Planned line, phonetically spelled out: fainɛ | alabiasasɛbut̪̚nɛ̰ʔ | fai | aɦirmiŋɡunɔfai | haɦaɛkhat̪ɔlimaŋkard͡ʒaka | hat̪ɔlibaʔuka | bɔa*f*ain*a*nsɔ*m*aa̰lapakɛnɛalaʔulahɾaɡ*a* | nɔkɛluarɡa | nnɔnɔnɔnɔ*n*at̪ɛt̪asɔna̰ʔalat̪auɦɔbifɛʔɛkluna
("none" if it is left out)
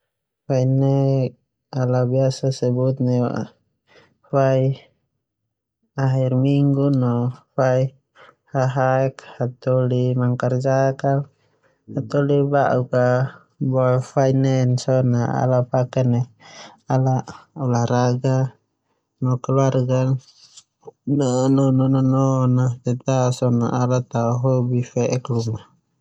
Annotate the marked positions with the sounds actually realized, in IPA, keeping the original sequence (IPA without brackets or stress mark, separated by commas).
f, ɛ, n, a, n